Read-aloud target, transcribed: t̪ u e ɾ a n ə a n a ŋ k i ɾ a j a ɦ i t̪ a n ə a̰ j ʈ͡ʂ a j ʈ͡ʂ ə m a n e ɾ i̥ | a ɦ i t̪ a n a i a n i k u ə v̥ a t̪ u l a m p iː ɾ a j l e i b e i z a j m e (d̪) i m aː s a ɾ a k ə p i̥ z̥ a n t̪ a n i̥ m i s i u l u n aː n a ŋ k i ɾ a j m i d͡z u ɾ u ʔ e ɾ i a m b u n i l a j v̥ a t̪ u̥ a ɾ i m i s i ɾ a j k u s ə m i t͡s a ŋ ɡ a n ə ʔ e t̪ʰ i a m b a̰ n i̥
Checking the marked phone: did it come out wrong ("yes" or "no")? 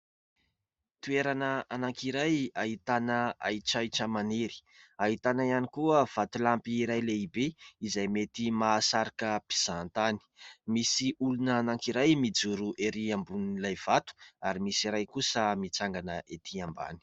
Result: yes